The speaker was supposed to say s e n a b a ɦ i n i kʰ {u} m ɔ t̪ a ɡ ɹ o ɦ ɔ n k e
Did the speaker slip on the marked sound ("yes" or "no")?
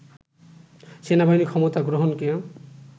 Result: yes